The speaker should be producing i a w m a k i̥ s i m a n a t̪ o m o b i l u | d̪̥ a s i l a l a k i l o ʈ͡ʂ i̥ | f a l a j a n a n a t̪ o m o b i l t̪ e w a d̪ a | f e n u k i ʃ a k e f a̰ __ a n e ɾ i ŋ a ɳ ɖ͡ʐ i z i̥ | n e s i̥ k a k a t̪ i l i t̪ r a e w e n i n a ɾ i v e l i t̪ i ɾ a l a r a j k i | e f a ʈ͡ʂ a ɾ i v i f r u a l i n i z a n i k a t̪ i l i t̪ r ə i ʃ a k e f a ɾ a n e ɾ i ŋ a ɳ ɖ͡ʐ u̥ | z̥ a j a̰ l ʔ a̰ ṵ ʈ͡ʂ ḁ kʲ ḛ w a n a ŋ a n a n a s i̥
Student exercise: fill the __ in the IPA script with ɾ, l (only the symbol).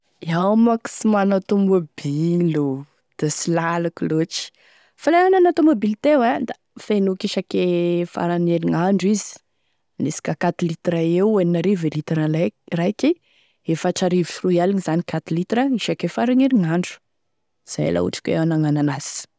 ɾ